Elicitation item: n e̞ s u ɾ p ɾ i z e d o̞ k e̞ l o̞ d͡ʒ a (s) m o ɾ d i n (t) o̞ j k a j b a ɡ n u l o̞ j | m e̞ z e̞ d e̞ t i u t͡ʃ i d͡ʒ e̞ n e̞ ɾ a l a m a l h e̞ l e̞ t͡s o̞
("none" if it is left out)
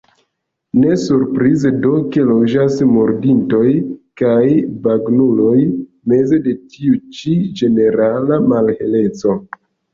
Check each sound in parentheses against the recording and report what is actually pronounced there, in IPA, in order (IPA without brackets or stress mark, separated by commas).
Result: s, t